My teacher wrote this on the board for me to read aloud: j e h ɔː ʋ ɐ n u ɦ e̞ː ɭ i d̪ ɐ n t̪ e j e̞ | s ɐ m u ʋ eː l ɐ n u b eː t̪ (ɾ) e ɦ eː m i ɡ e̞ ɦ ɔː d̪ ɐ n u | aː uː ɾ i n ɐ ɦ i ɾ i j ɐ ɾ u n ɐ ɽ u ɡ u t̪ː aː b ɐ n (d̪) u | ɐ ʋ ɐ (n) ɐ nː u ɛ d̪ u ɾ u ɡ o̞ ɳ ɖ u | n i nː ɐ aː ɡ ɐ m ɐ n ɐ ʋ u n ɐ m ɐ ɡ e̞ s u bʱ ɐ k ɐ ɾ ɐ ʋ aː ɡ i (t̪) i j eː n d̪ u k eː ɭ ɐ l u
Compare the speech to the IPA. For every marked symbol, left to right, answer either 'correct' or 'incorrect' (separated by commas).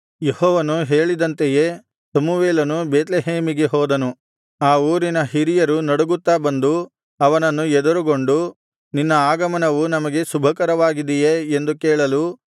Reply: incorrect, correct, correct, incorrect